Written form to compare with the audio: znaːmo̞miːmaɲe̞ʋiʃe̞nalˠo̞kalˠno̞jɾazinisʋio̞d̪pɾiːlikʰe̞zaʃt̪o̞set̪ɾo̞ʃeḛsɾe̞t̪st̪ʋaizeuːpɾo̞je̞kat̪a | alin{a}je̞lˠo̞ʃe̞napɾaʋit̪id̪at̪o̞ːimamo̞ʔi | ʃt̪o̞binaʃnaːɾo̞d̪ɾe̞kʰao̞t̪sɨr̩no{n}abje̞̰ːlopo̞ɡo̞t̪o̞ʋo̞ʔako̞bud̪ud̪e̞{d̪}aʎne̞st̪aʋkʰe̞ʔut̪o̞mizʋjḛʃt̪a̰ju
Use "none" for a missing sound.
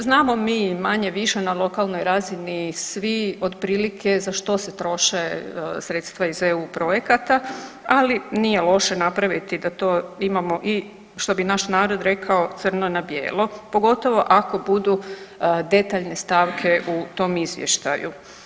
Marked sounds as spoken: i, n, t̪

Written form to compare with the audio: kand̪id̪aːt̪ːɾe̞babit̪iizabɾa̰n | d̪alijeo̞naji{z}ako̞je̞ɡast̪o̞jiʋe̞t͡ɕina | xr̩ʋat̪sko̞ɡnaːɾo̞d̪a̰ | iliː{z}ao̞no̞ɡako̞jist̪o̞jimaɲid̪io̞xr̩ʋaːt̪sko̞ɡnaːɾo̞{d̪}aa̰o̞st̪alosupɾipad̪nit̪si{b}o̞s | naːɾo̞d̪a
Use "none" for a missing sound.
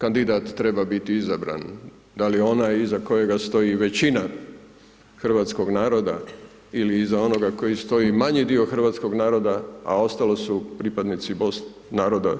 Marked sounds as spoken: z, z, d̪, b

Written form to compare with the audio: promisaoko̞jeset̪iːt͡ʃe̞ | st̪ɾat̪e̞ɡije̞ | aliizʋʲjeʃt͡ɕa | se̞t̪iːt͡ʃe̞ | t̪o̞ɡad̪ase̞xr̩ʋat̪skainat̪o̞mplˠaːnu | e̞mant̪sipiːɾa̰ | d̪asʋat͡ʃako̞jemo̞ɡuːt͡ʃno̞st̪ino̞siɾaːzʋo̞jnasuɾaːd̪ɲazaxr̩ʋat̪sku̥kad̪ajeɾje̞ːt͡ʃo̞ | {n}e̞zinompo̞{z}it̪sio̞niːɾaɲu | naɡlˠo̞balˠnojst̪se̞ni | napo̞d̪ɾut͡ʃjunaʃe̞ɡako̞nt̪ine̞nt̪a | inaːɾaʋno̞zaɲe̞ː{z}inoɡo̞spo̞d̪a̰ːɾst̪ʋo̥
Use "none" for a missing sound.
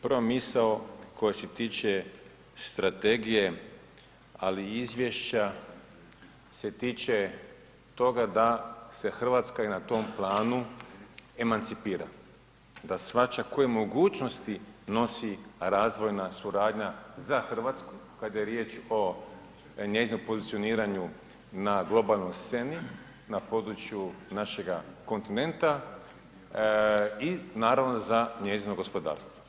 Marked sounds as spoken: ɲ, z, z

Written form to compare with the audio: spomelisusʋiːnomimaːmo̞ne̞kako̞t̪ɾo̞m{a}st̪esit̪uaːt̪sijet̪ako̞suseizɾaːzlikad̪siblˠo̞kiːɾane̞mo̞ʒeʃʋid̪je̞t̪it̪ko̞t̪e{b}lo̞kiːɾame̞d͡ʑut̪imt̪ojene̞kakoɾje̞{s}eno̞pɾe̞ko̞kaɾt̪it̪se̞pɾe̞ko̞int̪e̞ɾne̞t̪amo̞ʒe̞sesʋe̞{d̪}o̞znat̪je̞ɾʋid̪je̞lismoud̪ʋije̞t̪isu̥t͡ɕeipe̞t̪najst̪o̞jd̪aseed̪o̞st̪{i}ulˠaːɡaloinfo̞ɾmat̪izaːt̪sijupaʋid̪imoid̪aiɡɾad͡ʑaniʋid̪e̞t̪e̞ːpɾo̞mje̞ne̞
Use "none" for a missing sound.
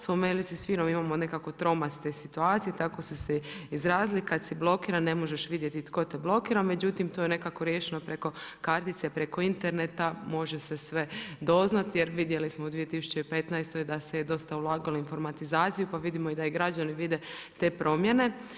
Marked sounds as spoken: a, b, ʃ, d̪, a

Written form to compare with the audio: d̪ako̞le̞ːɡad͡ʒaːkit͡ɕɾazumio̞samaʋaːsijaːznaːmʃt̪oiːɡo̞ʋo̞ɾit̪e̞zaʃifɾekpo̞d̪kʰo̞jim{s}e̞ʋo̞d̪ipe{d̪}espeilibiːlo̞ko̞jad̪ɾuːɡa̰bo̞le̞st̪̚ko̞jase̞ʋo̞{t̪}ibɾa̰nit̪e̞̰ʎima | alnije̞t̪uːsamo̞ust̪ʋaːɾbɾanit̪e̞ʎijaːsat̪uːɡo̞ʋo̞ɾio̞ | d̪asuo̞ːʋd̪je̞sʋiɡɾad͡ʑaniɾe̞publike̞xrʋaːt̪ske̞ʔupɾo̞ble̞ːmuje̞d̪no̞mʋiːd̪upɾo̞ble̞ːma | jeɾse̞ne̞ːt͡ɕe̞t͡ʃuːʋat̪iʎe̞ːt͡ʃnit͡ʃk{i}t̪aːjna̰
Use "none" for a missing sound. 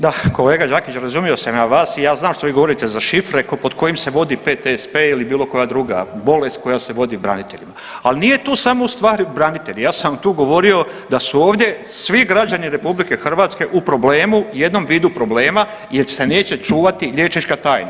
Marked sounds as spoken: s, t̪, d̪, a

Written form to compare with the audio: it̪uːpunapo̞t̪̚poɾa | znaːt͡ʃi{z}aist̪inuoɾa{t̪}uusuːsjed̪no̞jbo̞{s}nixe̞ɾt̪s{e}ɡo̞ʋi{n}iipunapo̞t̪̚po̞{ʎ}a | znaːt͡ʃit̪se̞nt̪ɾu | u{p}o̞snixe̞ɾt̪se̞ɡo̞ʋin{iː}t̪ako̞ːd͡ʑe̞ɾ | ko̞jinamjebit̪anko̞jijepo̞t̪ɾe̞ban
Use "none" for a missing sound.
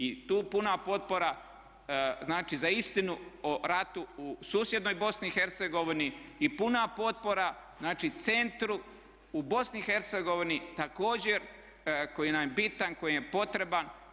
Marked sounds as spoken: z, t̪, s, e, n, ɾ, b, i

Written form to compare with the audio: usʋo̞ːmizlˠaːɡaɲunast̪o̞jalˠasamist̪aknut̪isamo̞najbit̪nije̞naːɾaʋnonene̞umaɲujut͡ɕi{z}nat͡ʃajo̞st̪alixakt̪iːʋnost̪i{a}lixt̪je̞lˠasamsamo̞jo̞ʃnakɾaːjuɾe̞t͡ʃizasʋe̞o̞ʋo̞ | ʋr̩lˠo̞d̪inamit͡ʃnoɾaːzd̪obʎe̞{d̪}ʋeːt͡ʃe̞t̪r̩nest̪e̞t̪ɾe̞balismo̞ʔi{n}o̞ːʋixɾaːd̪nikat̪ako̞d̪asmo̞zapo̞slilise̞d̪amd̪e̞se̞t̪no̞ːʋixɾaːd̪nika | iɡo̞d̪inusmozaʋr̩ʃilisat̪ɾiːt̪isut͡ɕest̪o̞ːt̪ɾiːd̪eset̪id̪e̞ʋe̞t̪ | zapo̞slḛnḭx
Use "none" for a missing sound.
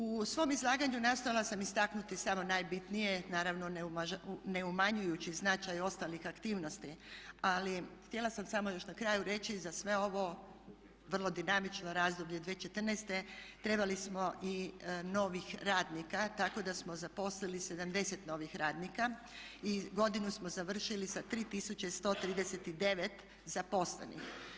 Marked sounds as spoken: z, a, d̪, n

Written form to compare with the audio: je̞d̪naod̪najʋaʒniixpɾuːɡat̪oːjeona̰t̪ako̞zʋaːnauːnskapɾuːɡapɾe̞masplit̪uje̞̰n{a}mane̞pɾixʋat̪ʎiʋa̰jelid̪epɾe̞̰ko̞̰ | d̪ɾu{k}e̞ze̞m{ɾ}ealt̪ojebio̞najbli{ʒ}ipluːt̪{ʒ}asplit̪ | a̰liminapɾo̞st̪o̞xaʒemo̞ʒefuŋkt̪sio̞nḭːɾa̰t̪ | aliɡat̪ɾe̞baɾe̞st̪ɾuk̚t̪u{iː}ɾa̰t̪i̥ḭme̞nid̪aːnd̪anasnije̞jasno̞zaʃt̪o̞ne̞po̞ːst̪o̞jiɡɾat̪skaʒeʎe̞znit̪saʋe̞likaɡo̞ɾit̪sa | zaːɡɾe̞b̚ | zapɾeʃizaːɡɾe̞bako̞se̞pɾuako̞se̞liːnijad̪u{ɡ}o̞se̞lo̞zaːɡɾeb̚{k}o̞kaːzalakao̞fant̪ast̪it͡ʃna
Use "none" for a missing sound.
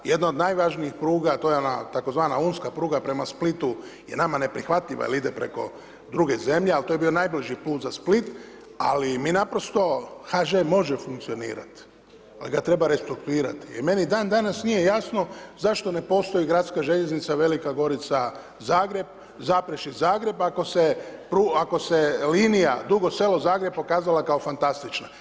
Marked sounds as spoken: a, ɡ, ʎ, ʒ, z, iː, ɡ, p

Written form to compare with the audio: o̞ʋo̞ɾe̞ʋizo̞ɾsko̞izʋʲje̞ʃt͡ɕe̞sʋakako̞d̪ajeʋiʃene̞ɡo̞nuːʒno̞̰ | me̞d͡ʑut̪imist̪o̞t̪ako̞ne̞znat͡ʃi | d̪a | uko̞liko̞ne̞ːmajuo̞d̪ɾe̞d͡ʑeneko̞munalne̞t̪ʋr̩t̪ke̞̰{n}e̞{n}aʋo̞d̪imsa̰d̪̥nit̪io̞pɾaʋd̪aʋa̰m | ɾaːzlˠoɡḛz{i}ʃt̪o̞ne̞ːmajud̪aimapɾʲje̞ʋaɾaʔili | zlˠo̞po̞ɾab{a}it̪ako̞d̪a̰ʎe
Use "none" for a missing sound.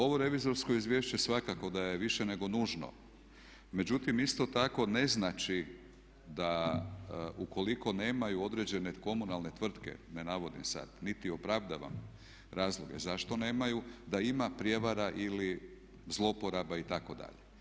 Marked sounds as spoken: n, n, a, a

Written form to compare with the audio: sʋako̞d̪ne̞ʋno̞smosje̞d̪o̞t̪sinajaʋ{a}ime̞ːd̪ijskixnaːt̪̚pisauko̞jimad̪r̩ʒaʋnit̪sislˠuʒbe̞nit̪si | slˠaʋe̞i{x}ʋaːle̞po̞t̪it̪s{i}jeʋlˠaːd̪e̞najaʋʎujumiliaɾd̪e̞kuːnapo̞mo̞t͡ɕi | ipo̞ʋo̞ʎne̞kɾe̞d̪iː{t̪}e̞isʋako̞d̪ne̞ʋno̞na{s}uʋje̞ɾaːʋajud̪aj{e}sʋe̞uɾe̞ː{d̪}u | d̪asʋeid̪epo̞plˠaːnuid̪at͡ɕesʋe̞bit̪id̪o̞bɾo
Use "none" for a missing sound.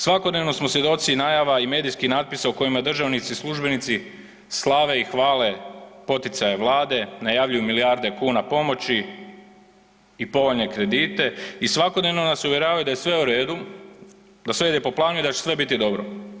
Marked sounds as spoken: a, x, a, t̪, s, e, d̪

